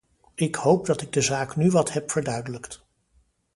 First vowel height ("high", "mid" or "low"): high